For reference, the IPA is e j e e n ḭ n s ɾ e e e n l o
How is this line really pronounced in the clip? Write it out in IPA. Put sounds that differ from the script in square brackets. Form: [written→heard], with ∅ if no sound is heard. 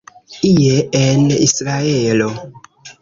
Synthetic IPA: [e→i] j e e n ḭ [n→∅] s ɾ [e→a] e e [n→∅] l o